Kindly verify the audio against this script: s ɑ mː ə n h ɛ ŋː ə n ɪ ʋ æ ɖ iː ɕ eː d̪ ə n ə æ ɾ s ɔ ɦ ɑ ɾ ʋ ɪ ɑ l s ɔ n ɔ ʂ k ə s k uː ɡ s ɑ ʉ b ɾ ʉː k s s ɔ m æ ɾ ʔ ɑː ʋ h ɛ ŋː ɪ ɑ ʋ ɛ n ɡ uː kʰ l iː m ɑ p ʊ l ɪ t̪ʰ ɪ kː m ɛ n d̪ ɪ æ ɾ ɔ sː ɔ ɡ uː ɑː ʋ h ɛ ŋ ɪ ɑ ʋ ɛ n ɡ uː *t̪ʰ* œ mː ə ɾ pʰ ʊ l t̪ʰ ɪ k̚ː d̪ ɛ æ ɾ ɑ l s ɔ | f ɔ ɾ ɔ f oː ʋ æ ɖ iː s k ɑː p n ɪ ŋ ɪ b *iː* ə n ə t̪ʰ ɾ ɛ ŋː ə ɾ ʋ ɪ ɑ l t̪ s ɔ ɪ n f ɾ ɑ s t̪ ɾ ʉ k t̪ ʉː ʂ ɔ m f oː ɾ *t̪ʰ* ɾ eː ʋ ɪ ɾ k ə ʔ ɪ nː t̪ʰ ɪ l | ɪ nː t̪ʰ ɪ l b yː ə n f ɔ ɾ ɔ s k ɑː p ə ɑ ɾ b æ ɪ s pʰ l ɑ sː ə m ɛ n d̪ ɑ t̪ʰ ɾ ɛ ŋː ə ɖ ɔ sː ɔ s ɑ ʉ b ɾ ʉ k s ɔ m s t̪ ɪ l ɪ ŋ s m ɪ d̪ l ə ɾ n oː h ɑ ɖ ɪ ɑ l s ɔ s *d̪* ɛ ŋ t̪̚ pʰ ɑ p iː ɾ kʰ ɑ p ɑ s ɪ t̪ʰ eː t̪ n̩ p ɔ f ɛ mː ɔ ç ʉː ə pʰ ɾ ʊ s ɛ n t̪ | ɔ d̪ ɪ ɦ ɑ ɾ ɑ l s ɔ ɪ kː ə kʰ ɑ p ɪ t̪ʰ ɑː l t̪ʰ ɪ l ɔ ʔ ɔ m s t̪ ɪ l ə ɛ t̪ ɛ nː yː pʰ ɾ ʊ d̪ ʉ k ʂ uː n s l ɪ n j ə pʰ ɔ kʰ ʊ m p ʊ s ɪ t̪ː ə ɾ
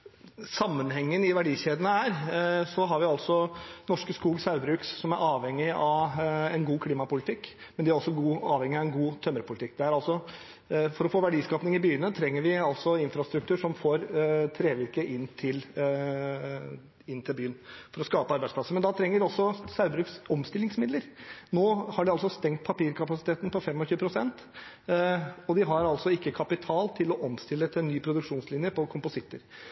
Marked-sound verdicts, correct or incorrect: correct, incorrect, correct, incorrect

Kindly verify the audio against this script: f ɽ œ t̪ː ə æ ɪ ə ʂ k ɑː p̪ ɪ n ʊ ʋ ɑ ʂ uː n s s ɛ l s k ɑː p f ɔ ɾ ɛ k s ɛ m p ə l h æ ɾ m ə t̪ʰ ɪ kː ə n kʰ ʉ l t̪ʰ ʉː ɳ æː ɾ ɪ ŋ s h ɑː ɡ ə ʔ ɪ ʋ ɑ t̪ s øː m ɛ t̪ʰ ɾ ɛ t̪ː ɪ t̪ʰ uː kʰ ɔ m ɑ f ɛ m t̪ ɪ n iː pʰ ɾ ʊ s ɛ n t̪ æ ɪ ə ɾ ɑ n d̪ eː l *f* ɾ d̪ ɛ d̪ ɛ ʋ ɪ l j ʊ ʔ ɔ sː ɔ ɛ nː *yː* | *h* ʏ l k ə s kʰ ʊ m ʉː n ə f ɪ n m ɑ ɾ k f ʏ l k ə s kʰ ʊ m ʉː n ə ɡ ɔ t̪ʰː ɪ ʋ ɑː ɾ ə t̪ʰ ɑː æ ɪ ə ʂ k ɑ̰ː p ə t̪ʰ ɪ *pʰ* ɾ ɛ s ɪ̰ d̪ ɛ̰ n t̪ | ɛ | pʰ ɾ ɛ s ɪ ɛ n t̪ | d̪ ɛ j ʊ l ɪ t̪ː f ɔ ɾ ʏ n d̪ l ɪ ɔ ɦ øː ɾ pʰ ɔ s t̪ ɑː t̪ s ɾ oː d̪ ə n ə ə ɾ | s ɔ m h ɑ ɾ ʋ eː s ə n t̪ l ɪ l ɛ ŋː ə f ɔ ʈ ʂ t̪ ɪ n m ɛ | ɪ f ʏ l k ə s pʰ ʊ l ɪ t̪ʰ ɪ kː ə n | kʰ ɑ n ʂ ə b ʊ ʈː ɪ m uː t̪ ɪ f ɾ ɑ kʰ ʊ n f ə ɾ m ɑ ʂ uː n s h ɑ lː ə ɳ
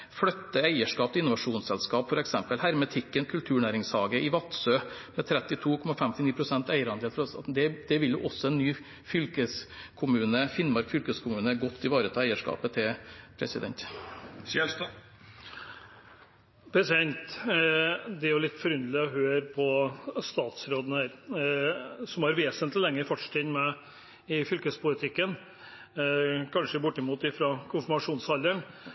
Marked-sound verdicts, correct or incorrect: correct, correct, incorrect, correct

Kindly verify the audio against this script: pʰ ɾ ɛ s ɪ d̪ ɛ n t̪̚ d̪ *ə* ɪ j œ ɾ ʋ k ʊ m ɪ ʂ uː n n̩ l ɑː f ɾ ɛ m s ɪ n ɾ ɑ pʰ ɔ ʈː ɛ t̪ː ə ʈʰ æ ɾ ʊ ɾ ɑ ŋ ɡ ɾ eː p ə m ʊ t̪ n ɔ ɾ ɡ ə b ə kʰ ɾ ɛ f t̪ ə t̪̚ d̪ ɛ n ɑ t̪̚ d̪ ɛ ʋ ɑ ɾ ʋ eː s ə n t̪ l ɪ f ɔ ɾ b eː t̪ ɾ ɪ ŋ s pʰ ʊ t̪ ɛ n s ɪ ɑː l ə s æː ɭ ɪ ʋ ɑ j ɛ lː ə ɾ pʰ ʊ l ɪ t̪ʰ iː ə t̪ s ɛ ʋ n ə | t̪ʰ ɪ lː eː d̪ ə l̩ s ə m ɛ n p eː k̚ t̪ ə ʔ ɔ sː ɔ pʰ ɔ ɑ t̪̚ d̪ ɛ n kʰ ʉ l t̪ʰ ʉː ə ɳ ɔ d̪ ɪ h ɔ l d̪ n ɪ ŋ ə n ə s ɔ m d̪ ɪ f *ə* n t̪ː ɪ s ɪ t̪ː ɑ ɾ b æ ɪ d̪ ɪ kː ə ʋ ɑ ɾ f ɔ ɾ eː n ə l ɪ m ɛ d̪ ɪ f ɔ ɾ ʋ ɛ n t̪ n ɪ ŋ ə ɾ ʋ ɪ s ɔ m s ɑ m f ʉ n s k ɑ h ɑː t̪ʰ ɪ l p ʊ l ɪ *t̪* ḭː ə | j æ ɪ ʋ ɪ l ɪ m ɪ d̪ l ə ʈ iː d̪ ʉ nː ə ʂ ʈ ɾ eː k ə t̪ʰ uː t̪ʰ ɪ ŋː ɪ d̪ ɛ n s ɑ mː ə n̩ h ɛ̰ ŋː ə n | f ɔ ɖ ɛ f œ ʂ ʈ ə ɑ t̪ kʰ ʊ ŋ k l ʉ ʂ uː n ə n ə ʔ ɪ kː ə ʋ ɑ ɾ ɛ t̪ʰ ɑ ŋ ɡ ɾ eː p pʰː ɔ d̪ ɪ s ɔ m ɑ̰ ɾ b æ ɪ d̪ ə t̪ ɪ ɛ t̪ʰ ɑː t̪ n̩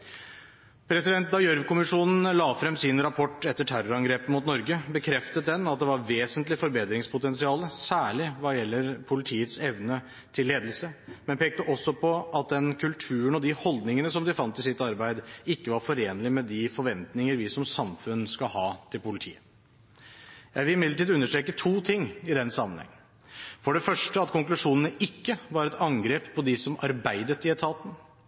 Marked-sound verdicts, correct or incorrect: incorrect, incorrect, incorrect

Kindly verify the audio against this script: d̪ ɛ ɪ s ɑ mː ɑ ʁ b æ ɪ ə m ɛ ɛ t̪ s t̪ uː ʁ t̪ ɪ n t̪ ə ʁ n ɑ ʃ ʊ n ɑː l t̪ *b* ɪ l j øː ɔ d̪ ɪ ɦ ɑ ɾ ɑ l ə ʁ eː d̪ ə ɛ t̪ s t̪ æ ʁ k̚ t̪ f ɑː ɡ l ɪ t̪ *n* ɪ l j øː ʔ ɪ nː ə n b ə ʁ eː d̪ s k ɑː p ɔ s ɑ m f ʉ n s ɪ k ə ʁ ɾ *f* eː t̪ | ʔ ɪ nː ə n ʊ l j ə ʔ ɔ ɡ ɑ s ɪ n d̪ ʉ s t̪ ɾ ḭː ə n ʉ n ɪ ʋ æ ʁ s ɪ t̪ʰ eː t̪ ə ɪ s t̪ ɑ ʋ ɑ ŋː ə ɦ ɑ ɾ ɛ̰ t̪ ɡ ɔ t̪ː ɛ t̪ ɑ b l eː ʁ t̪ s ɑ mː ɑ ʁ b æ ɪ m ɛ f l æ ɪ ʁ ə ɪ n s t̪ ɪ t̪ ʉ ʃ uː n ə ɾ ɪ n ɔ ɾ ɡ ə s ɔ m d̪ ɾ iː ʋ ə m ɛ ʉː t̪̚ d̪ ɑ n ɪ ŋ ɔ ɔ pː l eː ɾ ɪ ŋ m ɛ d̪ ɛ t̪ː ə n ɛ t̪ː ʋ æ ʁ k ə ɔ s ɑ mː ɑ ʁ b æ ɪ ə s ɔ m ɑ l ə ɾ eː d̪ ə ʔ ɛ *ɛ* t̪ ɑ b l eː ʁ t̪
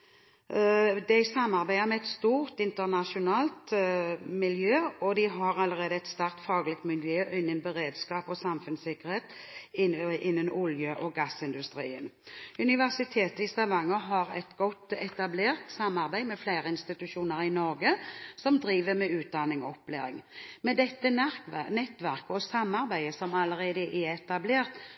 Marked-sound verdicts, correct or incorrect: incorrect, incorrect, incorrect, correct

